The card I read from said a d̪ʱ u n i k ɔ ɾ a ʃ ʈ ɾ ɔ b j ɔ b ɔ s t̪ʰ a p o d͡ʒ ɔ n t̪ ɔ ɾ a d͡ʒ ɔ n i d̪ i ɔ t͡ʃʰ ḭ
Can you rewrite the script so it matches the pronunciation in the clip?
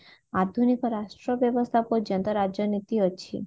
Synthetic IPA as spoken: a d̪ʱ u n i k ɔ ɾ a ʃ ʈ ɾ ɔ b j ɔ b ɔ s t̪ʰ a p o d͡ʒ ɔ n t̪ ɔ ɾ a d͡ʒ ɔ n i t̪ i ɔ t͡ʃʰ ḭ